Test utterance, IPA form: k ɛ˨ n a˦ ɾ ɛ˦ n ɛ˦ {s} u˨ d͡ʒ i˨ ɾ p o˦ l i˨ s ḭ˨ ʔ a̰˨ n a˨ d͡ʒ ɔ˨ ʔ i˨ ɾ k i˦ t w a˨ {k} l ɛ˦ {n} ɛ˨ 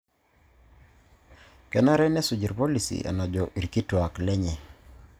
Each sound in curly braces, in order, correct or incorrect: correct, correct, incorrect: ɲ

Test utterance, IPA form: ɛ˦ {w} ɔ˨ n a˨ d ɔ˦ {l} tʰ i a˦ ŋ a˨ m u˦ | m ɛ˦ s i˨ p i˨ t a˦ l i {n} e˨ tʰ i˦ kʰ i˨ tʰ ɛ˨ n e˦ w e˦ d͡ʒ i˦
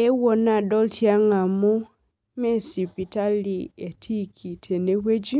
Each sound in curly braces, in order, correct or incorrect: correct, correct, incorrect: none

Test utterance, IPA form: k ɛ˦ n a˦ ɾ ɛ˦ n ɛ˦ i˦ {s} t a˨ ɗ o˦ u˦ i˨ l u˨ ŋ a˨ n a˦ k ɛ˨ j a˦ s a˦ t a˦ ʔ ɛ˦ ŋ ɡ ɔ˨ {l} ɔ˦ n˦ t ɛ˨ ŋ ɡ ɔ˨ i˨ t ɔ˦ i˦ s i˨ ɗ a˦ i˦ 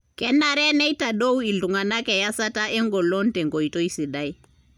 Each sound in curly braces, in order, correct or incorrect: incorrect: none, correct

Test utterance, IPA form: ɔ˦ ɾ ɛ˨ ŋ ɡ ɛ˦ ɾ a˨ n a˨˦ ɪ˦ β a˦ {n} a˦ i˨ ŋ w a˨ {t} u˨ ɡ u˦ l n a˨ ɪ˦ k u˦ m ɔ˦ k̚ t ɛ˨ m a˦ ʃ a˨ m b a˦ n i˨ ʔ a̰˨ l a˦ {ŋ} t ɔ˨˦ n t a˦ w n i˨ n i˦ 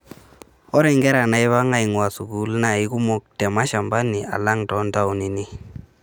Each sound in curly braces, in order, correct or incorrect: incorrect: ŋ, incorrect: s, correct

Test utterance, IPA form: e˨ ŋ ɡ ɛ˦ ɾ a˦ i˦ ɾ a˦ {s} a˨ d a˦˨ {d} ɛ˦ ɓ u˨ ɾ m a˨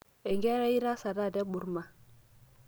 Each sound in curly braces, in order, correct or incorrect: correct, correct

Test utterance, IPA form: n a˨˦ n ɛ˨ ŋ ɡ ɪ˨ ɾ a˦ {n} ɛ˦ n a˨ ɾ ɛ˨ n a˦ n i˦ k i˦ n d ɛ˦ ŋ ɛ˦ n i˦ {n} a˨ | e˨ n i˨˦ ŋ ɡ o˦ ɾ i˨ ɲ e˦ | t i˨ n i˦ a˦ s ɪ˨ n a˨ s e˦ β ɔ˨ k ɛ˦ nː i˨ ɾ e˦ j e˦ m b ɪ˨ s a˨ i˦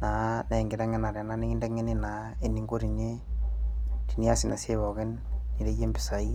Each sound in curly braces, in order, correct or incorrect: incorrect: ŋ, correct

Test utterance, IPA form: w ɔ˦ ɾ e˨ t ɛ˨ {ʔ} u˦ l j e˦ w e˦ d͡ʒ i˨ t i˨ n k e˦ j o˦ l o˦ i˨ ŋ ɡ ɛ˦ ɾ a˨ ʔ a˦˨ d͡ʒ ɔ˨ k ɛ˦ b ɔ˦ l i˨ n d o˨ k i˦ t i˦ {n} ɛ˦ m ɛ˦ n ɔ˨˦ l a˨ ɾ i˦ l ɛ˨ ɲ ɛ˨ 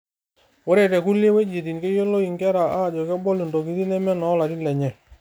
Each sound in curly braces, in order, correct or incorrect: incorrect: k, correct

